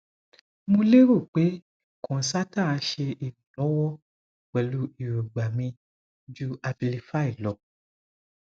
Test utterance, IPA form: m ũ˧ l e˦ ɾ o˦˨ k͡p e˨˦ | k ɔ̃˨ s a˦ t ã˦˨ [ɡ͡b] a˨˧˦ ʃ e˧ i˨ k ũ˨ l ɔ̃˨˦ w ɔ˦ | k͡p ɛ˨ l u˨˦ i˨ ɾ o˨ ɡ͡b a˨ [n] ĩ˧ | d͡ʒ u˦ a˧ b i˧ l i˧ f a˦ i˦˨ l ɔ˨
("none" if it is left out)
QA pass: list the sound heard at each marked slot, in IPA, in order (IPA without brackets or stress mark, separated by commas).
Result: none, m